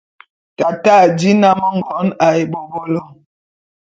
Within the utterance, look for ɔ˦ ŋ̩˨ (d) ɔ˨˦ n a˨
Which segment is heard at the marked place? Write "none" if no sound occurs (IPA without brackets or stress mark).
ɡ